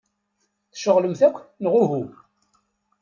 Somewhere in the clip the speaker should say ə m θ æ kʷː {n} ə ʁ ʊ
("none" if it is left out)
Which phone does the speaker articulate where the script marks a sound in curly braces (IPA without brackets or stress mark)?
n